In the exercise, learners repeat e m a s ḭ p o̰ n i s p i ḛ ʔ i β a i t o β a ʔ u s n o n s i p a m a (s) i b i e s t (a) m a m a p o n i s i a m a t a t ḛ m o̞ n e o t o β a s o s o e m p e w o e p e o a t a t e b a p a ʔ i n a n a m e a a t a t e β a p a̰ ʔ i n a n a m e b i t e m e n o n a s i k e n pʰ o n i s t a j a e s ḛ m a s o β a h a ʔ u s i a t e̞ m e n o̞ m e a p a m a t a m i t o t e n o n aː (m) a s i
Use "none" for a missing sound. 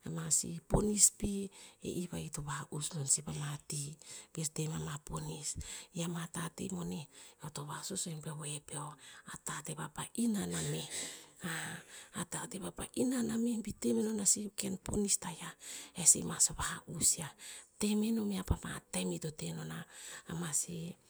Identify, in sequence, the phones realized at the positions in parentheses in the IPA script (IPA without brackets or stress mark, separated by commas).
t, e, m